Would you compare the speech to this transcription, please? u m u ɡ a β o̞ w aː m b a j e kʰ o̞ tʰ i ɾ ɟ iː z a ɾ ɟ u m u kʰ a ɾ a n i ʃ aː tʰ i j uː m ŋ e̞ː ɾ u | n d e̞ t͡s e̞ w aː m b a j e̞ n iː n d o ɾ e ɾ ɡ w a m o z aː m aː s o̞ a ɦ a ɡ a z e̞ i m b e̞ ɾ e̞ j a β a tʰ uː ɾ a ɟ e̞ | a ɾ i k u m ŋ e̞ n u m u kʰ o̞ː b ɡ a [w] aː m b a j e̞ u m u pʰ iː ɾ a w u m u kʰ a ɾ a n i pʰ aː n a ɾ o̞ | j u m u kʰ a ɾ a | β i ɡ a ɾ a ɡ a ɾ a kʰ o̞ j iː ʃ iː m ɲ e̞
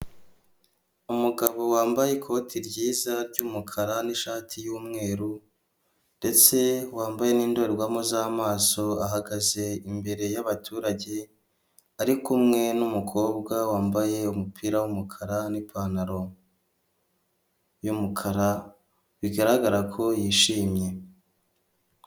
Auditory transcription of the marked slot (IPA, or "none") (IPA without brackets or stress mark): w